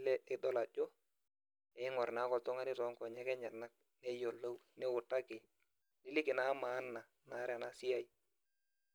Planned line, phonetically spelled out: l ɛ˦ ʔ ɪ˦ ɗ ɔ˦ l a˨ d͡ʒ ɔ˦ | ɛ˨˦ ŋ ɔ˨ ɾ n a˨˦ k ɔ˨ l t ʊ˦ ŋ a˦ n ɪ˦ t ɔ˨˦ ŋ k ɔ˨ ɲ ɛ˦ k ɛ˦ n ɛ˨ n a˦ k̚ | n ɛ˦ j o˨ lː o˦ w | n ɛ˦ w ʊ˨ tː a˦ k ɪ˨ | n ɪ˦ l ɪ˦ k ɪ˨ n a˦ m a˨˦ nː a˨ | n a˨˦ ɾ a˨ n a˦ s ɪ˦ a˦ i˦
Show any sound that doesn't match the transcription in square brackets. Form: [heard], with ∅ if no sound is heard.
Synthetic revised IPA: l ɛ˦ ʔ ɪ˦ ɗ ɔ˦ l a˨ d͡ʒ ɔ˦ | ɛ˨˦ ŋ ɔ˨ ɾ n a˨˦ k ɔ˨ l t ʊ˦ ŋ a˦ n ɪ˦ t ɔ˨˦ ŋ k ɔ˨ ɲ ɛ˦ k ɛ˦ [ɲ] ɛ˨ n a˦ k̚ | n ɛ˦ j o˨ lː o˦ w | n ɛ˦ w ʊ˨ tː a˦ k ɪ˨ | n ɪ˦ l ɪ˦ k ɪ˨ n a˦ m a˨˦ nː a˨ | n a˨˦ ɾ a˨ n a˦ s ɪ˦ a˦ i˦